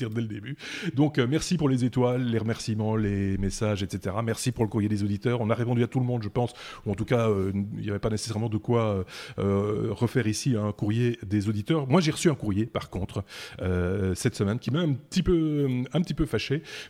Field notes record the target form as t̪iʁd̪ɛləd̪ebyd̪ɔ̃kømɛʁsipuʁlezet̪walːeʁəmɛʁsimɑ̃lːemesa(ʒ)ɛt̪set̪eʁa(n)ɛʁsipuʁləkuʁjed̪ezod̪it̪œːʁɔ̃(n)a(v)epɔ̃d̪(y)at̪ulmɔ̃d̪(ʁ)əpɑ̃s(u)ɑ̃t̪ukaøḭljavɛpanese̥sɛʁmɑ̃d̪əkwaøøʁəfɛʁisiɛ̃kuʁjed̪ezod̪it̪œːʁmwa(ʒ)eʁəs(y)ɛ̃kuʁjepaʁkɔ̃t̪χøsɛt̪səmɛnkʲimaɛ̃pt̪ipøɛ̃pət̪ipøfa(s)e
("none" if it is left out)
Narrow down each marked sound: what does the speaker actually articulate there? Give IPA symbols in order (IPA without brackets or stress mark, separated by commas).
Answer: ʒ, m, n, ʁ, y, ʒ, u, ʒ, y, ʃ